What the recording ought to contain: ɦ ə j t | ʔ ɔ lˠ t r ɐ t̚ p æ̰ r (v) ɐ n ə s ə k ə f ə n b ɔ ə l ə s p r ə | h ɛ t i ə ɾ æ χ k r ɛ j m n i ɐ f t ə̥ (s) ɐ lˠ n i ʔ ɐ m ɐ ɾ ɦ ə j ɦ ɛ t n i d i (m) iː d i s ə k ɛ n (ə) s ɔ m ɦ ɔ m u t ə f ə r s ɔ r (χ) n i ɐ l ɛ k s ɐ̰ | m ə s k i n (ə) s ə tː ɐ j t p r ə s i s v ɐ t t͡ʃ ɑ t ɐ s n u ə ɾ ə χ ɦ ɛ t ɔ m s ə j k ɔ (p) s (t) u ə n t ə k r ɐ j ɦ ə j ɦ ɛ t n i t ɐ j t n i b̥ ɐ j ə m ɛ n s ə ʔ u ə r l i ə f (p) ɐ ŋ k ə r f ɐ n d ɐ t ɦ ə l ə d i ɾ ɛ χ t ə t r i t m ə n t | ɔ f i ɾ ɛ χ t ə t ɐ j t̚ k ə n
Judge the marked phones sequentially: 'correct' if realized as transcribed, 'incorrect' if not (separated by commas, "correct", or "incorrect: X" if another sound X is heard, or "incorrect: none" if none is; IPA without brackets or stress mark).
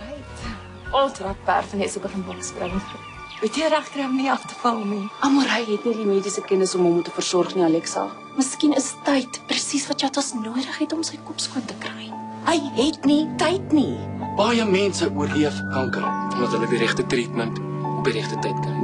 incorrect: f, incorrect: f, correct, correct, correct, correct, correct, incorrect: k, incorrect: k